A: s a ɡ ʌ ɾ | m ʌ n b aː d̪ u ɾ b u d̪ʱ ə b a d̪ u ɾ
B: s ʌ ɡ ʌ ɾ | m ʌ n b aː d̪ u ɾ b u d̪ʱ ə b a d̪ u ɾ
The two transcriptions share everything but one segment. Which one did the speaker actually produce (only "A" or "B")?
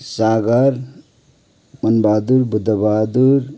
A